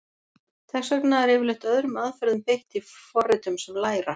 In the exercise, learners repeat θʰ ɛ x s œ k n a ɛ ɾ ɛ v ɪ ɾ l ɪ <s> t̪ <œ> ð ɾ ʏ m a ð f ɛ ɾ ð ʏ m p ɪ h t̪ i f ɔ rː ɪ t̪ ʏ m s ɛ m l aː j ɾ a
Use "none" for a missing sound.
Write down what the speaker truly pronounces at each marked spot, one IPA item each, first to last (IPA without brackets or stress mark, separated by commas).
h, œ